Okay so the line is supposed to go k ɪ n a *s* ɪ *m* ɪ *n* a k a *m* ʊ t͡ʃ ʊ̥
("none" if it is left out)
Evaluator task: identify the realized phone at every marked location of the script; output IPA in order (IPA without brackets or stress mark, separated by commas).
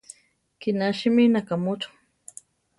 ʃ, m, n, m